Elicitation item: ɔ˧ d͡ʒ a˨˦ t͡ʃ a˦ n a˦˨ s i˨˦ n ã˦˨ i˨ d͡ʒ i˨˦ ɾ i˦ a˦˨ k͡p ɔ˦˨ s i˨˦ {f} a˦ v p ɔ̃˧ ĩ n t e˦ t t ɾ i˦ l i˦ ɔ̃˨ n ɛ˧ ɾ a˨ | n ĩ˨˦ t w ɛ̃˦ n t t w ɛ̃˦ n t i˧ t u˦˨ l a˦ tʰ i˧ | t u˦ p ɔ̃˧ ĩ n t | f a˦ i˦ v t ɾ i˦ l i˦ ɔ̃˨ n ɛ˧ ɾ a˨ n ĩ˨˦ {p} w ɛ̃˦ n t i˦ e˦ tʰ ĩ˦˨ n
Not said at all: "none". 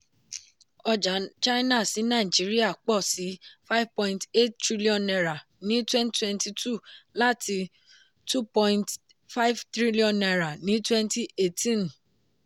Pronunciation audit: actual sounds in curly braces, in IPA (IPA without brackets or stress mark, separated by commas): f, t